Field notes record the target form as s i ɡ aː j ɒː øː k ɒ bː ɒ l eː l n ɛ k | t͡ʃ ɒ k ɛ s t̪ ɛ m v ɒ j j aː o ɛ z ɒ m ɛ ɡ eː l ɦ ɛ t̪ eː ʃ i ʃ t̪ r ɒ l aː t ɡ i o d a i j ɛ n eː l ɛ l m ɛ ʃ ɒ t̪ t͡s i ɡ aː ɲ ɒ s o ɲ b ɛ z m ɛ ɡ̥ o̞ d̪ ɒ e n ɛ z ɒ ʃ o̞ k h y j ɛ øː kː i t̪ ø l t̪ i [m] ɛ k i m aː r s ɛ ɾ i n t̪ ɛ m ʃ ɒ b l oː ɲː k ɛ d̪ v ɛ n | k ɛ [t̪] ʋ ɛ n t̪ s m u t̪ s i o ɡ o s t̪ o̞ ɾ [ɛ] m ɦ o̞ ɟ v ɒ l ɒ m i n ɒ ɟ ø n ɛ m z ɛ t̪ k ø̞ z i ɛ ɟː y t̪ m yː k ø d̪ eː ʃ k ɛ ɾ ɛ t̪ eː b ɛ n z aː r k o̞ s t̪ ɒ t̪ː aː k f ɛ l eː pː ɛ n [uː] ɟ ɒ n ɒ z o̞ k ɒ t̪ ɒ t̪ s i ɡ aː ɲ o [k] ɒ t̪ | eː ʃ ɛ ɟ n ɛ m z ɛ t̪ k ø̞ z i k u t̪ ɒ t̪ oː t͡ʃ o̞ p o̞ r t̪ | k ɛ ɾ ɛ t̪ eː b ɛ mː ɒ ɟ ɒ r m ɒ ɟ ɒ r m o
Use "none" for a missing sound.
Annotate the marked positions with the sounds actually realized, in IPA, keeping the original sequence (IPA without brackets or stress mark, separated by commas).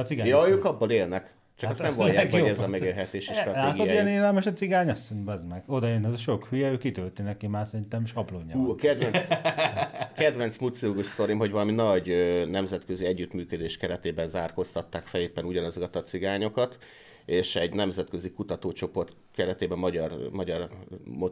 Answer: n, d̪, i, u, k